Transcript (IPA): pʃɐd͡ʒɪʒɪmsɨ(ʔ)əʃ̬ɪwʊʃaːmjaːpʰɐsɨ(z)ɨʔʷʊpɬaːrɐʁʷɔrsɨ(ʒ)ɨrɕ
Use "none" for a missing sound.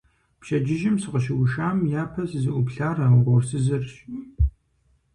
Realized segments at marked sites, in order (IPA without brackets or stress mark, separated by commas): q, z, z